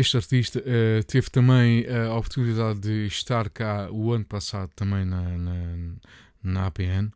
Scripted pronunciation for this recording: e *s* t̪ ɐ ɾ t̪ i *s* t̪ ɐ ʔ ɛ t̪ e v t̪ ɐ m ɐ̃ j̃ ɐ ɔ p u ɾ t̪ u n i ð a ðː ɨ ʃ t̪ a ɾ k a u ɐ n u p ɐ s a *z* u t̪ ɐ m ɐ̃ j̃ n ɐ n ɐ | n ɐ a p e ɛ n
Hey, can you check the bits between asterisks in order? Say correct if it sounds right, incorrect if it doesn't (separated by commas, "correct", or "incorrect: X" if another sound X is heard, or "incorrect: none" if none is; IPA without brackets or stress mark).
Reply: incorrect: ʃ, incorrect: ʃ, incorrect: ð